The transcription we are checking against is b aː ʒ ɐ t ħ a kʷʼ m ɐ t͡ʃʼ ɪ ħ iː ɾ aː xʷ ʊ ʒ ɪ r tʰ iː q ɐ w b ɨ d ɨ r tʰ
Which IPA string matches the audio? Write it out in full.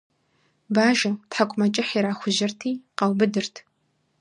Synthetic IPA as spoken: b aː ʒ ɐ t ħ a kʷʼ m ɐ t͡ʃʼ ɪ ħ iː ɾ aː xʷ ʊ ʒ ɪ r tʰ iː q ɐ w b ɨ d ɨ r tʰ